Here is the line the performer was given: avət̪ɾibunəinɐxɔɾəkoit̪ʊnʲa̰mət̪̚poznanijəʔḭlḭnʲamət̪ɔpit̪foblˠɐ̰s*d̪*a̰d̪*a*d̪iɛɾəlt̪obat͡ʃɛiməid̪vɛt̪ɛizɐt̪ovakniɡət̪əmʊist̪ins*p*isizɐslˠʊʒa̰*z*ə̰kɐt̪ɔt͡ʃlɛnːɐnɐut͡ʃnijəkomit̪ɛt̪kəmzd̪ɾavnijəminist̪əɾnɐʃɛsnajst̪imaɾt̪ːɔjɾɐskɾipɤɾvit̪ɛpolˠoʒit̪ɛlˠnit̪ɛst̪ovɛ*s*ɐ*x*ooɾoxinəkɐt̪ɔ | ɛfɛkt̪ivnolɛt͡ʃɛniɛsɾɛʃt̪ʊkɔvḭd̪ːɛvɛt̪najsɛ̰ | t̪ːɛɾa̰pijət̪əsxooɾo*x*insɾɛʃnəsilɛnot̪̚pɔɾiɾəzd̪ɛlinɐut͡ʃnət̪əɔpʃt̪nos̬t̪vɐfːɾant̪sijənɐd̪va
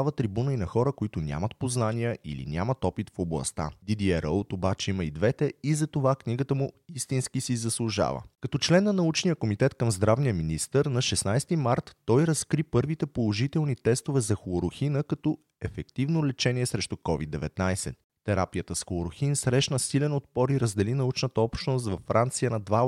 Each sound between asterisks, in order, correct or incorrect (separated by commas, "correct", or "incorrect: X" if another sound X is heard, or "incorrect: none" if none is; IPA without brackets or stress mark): incorrect: t̪, incorrect: i, incorrect: k, incorrect: v, incorrect: z, correct, correct